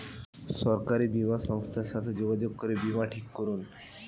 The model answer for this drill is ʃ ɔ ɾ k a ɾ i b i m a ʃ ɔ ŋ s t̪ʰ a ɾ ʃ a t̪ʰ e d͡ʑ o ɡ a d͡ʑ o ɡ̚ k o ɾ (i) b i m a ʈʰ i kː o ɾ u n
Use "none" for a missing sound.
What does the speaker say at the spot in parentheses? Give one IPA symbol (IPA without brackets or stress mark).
e